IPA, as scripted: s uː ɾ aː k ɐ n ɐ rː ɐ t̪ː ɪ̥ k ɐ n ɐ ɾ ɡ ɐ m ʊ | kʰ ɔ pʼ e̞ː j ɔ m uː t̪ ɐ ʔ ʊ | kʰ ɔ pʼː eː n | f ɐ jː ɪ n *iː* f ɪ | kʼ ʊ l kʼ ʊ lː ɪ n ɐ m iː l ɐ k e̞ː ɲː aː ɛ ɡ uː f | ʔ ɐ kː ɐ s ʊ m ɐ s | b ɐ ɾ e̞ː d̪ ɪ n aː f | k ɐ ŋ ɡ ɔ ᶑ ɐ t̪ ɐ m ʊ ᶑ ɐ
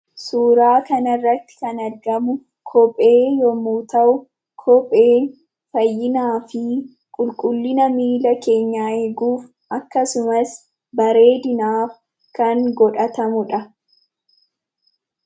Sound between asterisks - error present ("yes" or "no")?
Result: yes